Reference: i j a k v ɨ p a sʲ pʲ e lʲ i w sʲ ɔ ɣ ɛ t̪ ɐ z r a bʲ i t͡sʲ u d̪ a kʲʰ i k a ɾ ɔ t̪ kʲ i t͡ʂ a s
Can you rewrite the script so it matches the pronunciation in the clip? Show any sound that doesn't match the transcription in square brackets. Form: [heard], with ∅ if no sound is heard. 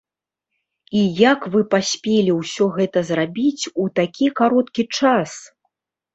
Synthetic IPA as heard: i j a k v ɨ p a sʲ pʲ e lʲ i w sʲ ɔ ɣ ɛ t̪ ɐ z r a bʲ i t͡sʲ u [t̪] a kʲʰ i k a ɾ ɔ t̪ kʲ i t͡ʂ a s